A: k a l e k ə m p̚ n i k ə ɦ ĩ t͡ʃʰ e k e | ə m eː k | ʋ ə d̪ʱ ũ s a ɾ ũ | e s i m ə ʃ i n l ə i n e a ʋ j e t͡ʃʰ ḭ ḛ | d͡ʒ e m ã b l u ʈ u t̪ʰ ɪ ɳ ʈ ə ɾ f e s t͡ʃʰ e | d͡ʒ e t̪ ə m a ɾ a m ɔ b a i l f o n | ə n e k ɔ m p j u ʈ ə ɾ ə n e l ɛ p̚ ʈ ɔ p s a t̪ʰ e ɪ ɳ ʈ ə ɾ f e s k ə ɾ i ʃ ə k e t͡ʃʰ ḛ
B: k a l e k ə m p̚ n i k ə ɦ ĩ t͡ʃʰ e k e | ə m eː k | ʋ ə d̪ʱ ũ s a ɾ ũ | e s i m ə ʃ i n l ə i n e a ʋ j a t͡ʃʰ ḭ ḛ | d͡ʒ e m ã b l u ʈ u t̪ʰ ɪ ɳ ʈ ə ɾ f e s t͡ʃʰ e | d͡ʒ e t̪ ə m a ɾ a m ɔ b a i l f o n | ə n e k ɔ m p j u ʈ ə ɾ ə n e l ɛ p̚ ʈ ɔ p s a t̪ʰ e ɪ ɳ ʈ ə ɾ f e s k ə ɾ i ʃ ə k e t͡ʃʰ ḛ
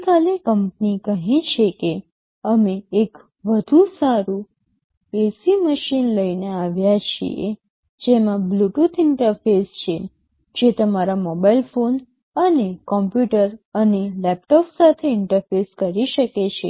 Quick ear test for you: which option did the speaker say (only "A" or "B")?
B